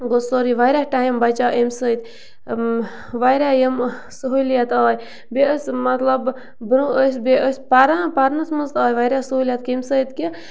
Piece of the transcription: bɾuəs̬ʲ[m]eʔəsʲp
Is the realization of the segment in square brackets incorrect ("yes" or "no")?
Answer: yes